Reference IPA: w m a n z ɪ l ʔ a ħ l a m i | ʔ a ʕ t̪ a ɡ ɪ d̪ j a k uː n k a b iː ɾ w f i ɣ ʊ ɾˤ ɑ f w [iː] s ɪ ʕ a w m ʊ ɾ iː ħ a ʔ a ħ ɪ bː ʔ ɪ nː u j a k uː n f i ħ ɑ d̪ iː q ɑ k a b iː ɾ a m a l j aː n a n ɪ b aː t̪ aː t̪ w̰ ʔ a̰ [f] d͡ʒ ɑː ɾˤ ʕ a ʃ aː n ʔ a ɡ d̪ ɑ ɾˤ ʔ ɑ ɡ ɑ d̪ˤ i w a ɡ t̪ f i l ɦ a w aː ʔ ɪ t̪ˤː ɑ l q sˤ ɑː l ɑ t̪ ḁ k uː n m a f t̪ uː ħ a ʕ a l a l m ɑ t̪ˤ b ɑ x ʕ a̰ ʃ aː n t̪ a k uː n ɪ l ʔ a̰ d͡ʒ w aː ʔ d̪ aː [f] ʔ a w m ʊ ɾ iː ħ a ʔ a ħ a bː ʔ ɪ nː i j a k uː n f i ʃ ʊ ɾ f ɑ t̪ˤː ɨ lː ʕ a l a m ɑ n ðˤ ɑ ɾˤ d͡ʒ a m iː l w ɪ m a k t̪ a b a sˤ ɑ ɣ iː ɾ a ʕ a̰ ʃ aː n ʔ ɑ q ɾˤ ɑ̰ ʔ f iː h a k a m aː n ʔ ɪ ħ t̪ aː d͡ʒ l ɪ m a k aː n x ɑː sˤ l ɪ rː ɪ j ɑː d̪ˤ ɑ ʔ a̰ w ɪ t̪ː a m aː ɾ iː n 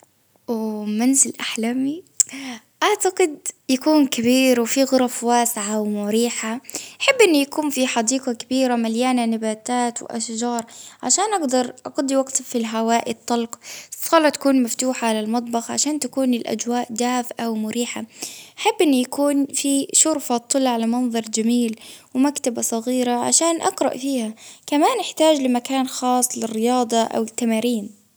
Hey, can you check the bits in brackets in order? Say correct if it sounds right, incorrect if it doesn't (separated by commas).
incorrect, incorrect, correct